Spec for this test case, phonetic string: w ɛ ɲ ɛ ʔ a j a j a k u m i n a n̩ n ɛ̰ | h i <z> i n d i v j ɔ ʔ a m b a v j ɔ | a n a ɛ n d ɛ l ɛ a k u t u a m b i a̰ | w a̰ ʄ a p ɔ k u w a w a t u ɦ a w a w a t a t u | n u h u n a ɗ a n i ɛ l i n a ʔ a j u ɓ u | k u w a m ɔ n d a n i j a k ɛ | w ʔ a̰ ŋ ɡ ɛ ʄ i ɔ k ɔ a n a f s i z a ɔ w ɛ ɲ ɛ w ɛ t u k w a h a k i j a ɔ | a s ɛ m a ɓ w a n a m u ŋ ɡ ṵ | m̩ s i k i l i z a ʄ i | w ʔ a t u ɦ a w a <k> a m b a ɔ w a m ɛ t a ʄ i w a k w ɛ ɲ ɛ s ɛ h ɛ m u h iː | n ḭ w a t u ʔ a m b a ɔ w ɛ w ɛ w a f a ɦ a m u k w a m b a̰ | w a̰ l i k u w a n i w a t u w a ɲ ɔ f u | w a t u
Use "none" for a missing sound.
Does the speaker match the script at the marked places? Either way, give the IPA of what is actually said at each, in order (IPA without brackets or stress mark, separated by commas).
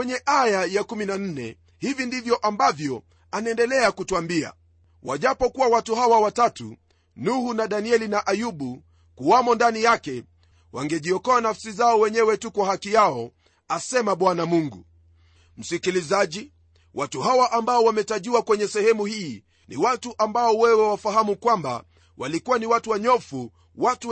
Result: v, ʔ